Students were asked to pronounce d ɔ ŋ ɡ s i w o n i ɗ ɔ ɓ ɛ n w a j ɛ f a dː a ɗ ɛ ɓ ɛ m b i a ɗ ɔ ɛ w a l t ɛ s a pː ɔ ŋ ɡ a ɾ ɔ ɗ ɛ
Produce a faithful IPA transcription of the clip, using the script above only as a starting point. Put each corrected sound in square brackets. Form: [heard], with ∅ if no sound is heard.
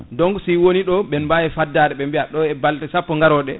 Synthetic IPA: d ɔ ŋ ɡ s i w o n i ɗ ɔ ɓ ɛ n [b] a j ɛ f a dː a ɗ ɛ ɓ ɛ m b i a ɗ ɔ ɛ [b] a l t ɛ s a pː ɔ ŋ ɡ a ɾ ɔ ɗ ɛ